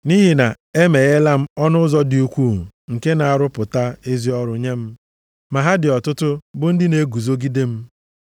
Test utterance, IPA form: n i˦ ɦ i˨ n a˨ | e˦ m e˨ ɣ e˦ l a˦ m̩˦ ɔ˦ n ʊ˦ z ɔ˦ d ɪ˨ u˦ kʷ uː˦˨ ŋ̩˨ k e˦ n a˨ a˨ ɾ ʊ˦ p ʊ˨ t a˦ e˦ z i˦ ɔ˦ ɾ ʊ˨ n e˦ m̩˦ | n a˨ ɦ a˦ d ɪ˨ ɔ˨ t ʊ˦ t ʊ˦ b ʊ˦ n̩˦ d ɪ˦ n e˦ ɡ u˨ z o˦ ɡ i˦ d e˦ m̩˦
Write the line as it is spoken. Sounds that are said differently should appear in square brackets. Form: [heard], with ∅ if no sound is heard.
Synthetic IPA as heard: n i˦ ɦ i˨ n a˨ | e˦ m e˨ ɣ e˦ l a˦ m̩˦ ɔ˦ n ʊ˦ z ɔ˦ d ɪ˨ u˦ kʷ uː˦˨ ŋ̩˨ k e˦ n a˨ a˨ ɾ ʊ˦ p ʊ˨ t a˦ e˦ z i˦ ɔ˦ ɾ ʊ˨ [ɲ] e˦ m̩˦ | [m] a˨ ɦ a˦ d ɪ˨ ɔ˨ t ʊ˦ t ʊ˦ b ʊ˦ n̩˦ d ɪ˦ n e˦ ɡ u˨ z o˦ ɡ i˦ d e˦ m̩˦

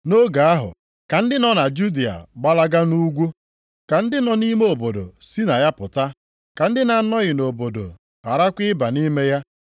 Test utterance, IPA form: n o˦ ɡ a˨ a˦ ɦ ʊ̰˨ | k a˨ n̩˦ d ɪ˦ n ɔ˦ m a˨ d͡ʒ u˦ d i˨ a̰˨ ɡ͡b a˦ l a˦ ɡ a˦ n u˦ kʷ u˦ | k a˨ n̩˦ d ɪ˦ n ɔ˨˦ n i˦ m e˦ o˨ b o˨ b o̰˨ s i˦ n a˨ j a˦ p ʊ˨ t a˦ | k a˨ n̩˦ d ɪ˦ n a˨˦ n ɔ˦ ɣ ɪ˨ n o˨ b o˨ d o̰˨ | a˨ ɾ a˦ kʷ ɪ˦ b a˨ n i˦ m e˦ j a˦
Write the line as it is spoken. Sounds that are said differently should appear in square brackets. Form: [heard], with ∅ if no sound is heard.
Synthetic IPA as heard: n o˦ ɡ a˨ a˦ ɦ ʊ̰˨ | k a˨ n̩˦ d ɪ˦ n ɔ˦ [n] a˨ d͡ʒ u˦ d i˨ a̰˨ ɡ͡b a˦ l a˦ ɡ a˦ n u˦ [ɡʷ] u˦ | k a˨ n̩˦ d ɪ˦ n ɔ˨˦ n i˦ m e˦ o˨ b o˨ [d] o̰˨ s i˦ n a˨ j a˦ p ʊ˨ t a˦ | k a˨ n̩˦ d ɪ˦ n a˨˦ n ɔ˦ ɣ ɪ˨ n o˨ b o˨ d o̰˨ | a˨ ɾ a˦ kʷ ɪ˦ b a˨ n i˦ m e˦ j a˦

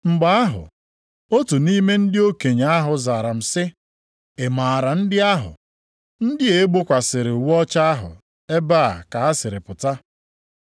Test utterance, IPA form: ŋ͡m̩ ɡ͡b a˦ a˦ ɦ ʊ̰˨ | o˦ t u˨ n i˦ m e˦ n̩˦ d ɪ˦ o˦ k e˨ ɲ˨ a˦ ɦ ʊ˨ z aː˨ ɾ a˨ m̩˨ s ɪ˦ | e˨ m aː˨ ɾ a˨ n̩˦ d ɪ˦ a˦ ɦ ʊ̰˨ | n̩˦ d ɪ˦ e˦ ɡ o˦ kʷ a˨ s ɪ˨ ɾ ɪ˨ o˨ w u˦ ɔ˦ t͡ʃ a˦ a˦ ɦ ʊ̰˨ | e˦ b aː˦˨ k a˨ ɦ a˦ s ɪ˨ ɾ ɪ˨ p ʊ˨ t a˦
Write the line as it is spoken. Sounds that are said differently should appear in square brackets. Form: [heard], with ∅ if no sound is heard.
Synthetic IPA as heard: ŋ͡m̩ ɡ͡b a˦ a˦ ɦ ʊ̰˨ | o˦ t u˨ n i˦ m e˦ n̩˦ d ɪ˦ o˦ k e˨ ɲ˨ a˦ ɦ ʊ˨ z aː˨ ɾ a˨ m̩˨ s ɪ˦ | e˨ m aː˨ ɾ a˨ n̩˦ d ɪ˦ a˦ ɦ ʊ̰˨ | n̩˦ d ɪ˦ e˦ [ɡ͡b] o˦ kʷ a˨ s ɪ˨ ɾ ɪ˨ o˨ w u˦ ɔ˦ t͡ʃ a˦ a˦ ɦ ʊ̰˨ | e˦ b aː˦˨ k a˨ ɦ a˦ s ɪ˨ ɾ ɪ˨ p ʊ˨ t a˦

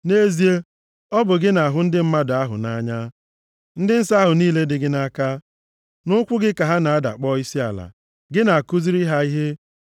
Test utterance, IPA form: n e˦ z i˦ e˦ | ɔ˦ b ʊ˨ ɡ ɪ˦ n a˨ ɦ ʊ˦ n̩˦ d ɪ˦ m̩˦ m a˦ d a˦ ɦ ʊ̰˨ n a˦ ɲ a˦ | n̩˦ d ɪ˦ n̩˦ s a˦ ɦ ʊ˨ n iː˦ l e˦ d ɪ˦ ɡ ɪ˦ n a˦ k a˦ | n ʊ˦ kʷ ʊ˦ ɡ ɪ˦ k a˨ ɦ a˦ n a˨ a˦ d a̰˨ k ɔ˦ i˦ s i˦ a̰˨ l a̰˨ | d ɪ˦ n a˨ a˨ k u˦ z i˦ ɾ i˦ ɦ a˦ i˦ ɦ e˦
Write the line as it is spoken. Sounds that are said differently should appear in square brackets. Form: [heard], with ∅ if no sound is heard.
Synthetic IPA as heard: n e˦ z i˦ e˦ | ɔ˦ b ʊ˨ ɡ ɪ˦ n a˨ ɦ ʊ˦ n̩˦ d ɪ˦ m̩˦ m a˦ d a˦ ɦ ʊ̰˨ n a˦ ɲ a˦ | n̩˦ d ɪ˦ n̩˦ s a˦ ɦ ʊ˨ n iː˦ l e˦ d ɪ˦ ɡ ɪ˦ n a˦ k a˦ | n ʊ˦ kʷ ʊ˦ ɡ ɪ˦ k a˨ ɦ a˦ n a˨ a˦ d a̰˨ [k͡p] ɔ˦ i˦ s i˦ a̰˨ l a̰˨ | [ɡ] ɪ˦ n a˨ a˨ k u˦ z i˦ ɾ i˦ ɦ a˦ i˦ ɦ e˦

